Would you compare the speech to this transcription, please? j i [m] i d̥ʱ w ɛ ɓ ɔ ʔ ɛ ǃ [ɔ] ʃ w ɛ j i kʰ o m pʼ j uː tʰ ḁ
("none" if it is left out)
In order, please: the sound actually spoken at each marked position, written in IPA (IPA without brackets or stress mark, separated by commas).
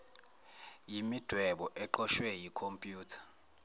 m, ɔ